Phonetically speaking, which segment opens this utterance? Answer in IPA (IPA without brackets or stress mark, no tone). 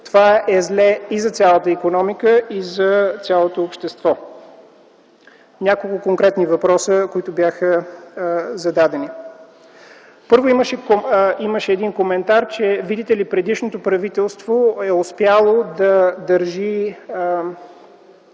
t̪